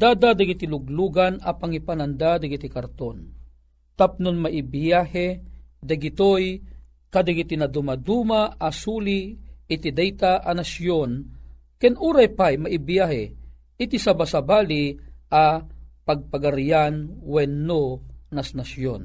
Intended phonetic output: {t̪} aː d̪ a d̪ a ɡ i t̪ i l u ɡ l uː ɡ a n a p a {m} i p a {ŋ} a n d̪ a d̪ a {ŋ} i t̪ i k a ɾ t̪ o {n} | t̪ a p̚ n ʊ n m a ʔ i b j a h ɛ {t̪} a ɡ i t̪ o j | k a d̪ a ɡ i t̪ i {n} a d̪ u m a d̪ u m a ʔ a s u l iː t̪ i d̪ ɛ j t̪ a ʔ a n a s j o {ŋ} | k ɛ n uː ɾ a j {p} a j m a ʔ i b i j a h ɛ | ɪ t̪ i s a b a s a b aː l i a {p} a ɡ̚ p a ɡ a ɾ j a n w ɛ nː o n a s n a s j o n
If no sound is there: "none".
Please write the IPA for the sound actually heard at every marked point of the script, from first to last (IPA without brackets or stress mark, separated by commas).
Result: d̪, ŋ, n, ɡ, n, d̪, n, n, p, p